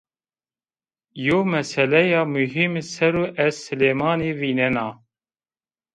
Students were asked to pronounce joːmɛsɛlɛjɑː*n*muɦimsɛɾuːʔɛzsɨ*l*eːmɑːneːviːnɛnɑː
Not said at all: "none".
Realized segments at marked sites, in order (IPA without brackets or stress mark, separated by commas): none, l